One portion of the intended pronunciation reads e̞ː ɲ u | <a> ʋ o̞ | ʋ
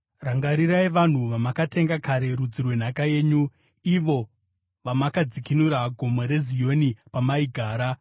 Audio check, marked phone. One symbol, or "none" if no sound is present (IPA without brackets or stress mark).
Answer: i